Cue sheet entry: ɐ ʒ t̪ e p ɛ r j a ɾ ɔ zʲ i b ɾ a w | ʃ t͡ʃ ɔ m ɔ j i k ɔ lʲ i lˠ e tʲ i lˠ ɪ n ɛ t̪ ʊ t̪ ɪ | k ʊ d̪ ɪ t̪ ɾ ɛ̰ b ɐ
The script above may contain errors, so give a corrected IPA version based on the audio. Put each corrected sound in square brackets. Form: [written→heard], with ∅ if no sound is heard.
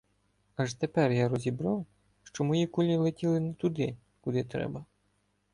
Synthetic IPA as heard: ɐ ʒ t̪ e p ɛ r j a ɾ ɔ zʲ i b ɾ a w | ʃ t͡ʃ ɔ m ɔ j i k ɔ lʲ i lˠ e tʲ i lˠ ɪ n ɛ t̪ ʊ [t̪→d̪] ɪ | k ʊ d̪ ɪ t̪ ɾ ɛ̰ b ɐ